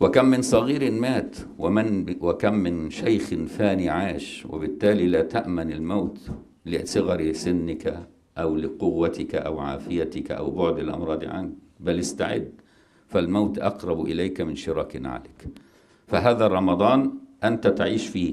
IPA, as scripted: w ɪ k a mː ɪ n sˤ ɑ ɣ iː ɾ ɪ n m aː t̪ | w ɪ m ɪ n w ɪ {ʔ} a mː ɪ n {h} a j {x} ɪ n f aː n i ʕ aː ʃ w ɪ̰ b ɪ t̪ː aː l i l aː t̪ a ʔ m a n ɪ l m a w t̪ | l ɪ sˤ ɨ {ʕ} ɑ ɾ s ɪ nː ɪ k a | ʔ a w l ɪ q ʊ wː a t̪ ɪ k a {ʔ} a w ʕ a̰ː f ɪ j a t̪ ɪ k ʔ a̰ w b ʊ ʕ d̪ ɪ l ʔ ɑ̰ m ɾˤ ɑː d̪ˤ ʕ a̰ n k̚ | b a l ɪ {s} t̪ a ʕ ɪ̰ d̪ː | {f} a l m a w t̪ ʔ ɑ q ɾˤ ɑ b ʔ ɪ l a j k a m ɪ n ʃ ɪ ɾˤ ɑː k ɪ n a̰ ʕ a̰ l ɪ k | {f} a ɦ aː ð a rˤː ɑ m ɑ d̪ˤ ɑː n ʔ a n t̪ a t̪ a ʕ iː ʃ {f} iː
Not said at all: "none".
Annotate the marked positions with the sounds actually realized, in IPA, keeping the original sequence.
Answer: k, ʃ, x, ɣ, ʔ, s, f, f, f

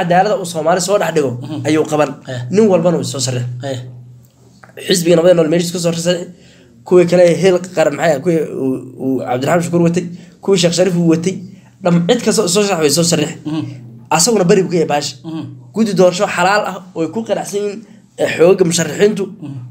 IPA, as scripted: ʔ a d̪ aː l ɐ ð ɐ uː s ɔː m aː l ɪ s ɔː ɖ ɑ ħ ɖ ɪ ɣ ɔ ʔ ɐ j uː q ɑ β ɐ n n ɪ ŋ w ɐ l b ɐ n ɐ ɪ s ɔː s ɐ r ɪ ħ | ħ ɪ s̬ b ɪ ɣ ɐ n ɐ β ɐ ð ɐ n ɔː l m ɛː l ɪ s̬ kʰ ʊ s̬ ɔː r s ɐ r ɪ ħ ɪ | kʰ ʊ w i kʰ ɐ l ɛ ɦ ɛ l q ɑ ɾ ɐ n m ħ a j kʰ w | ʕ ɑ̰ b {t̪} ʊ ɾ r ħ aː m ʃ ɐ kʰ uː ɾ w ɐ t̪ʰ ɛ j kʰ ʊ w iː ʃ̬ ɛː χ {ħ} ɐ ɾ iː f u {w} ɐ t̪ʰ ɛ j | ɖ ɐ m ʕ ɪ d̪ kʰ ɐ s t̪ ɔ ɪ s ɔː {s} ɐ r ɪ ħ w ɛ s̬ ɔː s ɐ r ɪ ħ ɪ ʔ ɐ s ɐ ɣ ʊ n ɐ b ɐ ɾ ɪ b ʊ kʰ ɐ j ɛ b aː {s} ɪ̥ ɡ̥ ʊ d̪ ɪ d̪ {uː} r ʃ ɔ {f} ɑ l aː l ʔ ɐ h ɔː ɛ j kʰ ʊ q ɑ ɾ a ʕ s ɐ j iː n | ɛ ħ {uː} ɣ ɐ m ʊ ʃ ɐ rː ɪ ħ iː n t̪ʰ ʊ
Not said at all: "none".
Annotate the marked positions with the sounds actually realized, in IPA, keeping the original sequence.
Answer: d̪, ʃ, w, ʃ, ʃ, ɔː, ħ, ɔː

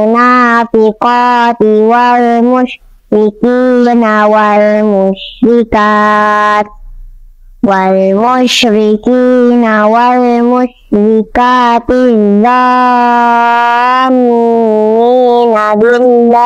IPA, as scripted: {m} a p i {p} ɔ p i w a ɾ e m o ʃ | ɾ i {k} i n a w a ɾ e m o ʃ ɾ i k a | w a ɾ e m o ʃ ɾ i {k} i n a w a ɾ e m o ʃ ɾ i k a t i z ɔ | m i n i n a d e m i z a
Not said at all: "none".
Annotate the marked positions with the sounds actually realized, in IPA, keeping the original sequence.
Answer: n, k, k, k

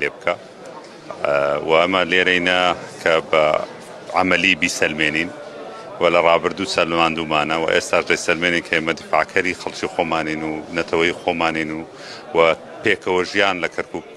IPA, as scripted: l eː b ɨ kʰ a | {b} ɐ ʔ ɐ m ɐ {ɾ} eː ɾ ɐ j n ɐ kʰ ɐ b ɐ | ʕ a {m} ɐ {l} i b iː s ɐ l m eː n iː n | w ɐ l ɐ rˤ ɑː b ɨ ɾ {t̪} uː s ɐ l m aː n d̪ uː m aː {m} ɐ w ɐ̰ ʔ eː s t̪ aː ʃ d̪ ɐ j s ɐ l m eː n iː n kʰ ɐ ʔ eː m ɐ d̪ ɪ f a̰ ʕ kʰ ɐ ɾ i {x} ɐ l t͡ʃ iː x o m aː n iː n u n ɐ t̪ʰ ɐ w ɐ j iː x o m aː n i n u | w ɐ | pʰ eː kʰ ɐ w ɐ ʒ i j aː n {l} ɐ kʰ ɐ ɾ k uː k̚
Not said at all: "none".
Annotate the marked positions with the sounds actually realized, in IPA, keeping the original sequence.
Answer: w, l, m, l, d̪, n, x, l

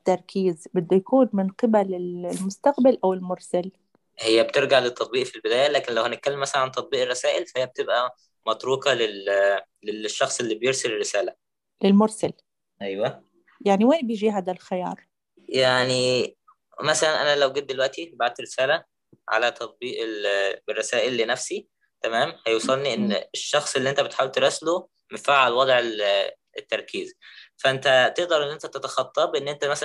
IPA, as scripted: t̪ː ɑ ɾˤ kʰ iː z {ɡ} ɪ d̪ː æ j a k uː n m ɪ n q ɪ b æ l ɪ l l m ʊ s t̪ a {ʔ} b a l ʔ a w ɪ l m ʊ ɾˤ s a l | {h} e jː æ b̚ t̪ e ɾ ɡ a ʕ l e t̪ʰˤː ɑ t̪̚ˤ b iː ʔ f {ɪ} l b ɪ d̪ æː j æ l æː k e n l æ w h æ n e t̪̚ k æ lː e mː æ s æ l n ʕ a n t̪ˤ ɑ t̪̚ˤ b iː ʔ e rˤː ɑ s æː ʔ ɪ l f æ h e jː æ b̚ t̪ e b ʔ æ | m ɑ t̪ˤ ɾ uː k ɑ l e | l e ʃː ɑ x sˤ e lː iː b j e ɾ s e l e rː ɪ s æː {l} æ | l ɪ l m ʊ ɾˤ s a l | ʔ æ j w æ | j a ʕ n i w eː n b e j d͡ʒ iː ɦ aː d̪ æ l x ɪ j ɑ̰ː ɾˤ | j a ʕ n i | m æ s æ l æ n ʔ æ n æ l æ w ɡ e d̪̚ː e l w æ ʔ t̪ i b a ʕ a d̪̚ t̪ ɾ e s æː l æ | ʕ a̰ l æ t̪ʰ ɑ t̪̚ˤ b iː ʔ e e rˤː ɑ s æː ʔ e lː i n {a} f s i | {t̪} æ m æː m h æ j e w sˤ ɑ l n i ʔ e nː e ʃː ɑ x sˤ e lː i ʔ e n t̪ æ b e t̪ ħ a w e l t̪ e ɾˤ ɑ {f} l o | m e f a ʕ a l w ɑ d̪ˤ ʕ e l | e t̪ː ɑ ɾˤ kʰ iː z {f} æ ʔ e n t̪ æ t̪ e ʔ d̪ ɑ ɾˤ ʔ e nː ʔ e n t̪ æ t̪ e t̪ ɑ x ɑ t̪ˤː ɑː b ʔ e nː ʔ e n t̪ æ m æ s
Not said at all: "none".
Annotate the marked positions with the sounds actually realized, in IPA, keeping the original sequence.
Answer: b, q, h, i, l, æ, t̪, s, f

